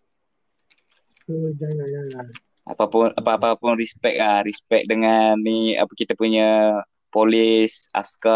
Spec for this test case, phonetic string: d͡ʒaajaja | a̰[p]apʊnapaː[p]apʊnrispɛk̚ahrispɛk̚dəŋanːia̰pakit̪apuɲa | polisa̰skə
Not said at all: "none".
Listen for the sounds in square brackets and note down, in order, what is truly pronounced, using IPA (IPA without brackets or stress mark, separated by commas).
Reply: p, p